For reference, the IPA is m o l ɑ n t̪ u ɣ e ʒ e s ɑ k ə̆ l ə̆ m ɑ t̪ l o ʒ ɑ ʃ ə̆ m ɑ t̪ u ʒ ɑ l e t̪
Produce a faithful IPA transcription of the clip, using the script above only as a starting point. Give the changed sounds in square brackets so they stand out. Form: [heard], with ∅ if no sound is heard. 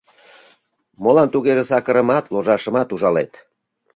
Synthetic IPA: m o l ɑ n t̪ u ɣ e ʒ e s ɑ k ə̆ [ɾ] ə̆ m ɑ t̪ l o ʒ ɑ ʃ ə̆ m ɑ t̪ u ʒ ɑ l e t̪